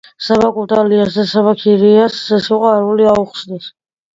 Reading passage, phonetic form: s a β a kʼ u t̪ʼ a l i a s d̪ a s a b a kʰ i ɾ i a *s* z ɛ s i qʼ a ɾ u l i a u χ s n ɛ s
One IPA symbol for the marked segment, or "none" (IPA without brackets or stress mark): s